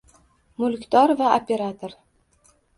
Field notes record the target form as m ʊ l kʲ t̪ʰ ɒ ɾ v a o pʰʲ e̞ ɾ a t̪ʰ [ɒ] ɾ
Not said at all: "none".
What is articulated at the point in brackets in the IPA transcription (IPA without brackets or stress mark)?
o